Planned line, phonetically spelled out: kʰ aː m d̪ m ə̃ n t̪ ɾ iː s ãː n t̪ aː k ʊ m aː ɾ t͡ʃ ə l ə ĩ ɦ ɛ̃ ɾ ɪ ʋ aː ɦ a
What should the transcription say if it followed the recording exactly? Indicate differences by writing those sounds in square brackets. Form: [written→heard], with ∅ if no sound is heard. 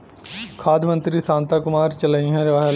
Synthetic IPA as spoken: kʰ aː [m→∅] d̪ m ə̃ n t̪ ɾ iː s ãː n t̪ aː k ʊ m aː ɾ t͡ʃ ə l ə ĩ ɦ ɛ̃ ɾ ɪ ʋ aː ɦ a